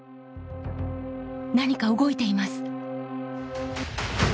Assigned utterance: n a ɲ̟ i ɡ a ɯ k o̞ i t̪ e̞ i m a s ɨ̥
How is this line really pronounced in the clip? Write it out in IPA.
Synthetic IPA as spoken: n a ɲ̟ i k a ɯ ɡ o̞ i t̪ e̞ i m a s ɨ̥